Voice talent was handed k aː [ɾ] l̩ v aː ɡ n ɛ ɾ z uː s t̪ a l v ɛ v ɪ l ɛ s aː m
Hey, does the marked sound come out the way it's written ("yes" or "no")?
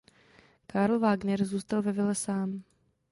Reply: yes